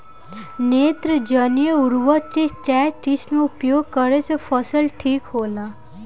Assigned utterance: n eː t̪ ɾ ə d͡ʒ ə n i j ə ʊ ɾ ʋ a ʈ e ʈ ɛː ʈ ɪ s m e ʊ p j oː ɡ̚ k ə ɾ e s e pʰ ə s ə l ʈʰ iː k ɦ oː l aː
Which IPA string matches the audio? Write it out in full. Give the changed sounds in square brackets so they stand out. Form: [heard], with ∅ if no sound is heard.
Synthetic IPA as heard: n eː t̪ ɾ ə d͡ʒ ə n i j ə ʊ ɾ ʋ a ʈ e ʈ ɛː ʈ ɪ s m e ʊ p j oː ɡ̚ k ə ɾ e s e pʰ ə s ə l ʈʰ iː k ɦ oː l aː